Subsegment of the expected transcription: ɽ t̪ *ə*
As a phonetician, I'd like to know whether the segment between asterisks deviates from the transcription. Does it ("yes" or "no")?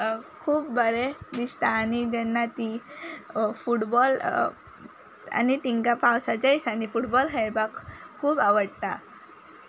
yes